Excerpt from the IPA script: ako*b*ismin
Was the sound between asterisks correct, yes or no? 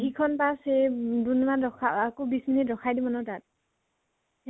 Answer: yes